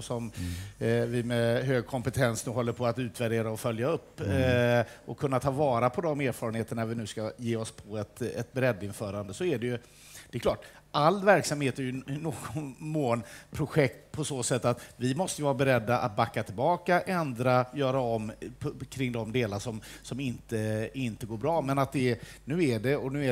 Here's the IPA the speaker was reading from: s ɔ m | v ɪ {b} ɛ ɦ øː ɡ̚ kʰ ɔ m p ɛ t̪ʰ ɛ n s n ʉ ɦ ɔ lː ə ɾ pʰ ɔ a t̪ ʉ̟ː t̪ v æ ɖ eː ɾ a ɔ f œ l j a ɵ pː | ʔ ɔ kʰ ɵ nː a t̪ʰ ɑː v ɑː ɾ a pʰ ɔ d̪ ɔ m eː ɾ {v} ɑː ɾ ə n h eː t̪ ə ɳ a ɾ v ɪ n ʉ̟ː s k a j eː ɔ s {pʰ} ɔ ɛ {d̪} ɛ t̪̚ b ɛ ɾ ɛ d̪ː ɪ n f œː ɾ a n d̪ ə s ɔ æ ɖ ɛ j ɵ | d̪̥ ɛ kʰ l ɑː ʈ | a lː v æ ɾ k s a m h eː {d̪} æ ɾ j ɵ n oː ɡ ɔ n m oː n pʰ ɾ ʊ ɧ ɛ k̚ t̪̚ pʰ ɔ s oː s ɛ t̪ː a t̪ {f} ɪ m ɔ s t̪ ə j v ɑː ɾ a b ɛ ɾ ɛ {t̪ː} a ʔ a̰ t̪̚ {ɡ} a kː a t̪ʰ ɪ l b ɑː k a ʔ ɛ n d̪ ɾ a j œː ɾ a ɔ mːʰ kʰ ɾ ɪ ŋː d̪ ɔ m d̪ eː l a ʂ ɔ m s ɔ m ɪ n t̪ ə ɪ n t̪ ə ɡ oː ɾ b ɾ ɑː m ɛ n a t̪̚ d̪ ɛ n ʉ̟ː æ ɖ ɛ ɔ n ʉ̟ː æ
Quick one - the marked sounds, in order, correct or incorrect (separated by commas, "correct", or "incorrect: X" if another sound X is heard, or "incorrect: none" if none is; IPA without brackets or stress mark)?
incorrect: m, incorrect: f, correct, incorrect: t̪, incorrect: t̪, incorrect: v, incorrect: d̪ː, incorrect: b